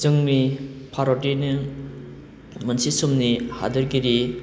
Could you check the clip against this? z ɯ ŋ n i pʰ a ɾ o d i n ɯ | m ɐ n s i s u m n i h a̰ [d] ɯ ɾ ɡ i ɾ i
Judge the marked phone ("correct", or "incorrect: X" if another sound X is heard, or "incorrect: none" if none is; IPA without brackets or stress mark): correct